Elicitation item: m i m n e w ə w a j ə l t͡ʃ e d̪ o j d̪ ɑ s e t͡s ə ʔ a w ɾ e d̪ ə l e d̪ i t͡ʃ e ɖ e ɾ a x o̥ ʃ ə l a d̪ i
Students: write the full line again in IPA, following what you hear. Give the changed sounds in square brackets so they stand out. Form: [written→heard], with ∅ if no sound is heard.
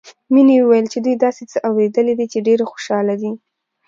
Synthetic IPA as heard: m i [m→∅] n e w ə w a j ə l t͡ʃ e d̪ [o→u] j d̪ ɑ s e t͡s ə ʔ a w ɾ e d̪ ə l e d̪ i t͡ʃ e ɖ e ɾ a x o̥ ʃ [ə→ɑ] l a d̪ i